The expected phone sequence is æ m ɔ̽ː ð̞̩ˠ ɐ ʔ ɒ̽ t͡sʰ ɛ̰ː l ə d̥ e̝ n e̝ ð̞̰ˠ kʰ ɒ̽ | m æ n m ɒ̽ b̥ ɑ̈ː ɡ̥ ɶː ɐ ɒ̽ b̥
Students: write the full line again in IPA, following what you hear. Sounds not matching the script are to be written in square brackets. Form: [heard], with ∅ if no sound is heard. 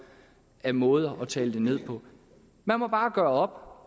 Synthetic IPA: æ m ɔ̽ː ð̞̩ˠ ɐ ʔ ɒ̽ t͡sʰ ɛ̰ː l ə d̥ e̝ n e̝ ð̞̰ˠ [pʰ] ɒ̽ | m æ n m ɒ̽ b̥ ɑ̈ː ɡ̥ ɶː ɐ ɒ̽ b̥

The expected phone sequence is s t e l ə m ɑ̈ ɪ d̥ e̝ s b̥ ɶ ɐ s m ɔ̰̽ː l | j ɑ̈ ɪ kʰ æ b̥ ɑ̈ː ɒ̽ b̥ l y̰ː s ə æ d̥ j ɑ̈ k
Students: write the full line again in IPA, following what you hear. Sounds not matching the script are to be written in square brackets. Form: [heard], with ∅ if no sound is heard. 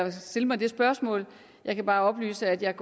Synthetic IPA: s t e l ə m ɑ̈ ɪ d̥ e̝ s b̥ ɶ ɐ s m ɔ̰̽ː l | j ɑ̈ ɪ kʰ æ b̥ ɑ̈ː ɒ̽ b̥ l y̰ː s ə æ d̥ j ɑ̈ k

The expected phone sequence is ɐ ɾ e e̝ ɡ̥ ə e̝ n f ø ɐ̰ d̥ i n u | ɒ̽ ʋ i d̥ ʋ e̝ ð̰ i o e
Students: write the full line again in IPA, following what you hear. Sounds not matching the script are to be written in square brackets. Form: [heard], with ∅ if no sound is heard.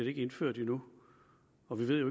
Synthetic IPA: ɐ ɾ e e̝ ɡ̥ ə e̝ n f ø ɐ̰ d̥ i n u | ɒ̽ ʋ i [∅] ʋ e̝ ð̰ [j] o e

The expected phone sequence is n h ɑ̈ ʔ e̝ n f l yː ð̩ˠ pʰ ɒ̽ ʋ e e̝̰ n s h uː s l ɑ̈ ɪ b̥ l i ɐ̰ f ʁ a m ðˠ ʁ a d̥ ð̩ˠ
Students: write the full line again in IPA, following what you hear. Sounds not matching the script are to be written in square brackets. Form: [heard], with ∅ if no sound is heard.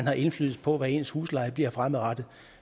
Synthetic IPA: n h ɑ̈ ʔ e̝ n f l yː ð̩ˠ pʰ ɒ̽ ʋ [æ] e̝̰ n s h uː s l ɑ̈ ɪ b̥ l i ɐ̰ f ʁ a m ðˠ ʁ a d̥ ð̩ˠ

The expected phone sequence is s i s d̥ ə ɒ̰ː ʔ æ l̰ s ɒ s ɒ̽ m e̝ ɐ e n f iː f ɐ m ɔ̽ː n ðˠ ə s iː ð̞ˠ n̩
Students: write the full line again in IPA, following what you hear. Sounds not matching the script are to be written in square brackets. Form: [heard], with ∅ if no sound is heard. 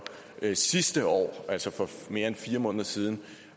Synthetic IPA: s i s d̥ ə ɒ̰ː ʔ æ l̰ s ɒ [f] ɒ̽ m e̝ ɐ e n f iː [∅] ɐ m ɔ̽ː n ðˠ [ɐ] s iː ð̞ˠ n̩

